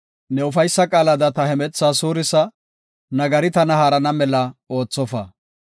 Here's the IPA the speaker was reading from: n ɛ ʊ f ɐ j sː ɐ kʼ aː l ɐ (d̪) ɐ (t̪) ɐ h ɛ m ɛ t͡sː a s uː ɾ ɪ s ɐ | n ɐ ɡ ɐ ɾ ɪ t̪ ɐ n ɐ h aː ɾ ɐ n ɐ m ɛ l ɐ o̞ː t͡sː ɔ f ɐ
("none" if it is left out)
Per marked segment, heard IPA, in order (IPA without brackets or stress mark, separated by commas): d̪, t̪